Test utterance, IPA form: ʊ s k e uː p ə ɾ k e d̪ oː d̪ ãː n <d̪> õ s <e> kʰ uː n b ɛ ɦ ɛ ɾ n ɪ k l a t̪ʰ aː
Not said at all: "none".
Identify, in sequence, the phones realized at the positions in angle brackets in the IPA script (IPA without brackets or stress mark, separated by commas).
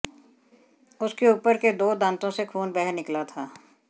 t̪, e